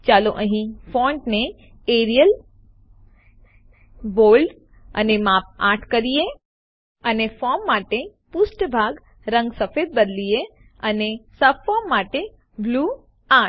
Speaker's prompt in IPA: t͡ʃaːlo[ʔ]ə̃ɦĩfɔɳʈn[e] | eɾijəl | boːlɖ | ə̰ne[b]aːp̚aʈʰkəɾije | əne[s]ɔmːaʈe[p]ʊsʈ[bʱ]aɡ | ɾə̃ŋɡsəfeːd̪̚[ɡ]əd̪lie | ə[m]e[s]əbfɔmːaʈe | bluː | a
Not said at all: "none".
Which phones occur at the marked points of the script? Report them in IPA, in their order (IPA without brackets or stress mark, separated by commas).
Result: ʔ, e, m, f, p, bʱ, b, n, s